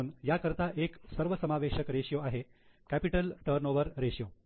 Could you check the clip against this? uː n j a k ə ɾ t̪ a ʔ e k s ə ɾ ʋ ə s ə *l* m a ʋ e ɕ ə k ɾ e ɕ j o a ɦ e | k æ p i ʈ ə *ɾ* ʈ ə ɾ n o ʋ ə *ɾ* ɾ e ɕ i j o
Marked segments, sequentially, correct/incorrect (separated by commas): incorrect, incorrect, correct